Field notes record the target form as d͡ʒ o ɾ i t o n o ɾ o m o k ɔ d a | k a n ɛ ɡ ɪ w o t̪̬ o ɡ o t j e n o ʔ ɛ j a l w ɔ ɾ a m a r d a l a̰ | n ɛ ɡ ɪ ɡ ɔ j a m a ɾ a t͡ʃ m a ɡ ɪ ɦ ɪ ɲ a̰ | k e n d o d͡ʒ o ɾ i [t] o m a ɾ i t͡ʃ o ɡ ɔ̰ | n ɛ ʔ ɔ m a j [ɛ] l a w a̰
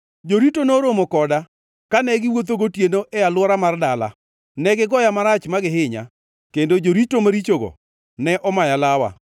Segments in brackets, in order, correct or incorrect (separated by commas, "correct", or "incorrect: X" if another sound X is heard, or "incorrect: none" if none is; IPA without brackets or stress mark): correct, incorrect: a